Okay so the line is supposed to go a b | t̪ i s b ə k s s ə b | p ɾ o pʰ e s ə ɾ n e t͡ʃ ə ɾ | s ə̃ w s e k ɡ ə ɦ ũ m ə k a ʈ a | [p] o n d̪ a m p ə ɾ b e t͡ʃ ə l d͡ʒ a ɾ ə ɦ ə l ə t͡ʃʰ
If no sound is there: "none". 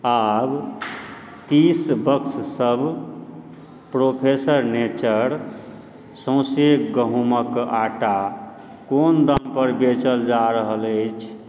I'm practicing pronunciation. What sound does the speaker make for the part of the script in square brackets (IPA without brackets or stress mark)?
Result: k